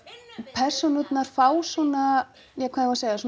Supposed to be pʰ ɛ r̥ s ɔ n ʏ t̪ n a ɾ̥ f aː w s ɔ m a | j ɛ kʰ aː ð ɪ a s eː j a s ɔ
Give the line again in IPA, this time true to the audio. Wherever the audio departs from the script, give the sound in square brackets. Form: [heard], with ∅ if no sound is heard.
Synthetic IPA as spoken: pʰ ɛ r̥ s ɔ n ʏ t̪ n a ɾ̥ f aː w s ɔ [n] a | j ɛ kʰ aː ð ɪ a s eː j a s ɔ